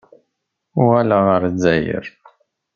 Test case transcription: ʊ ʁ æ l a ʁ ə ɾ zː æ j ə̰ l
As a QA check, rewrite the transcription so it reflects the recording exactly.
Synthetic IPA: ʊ ʁ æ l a ʁ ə ɾ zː æ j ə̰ ɾ